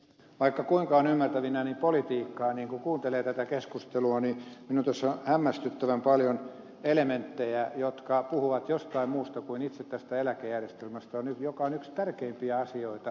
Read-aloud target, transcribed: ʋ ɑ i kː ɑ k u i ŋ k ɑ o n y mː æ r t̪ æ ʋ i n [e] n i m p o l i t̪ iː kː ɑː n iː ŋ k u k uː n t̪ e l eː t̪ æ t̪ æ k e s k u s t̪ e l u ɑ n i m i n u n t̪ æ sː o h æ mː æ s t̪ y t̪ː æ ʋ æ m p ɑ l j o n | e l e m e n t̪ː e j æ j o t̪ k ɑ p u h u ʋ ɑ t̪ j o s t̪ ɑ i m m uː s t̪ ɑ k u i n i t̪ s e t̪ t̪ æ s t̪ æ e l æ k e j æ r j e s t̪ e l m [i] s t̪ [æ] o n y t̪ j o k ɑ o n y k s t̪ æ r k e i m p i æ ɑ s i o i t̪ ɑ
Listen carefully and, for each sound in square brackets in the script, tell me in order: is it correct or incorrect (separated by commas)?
incorrect, incorrect, correct